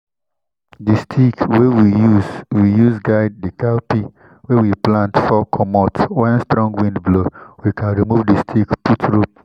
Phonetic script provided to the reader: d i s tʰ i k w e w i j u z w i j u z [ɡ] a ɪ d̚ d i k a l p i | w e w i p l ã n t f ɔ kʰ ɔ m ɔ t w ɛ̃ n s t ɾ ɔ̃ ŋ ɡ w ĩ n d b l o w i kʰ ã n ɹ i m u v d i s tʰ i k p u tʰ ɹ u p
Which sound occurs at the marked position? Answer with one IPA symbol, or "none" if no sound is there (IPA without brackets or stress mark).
ɡ